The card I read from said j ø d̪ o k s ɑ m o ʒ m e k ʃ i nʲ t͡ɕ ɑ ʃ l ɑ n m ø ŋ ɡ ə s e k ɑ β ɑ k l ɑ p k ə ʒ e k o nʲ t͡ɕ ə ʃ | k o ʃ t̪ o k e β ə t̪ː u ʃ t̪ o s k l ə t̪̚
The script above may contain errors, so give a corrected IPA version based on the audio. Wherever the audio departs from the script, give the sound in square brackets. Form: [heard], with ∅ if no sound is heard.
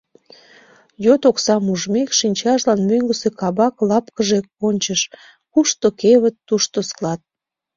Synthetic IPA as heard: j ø [t̪] o k s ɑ m [u] ʒ m e k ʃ i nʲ t͡ɕ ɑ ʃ l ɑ n m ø ŋ ɡ ə s e k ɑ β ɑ k l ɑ p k ə ʒ e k o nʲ t͡ɕ ə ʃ | k [u] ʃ t̪ o k e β ə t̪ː u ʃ t̪ o s k l [ɑ] t̪̚